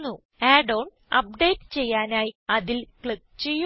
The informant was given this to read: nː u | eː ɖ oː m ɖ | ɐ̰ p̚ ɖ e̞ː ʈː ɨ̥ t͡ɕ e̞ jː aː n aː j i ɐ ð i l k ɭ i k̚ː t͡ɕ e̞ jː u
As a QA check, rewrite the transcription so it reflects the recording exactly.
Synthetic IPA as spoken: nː u | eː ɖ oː ɳ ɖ | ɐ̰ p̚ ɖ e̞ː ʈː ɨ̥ t͡ɕ e̞ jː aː n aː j i ɐ ð i l k ɭ i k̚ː t͡ɕ e̞ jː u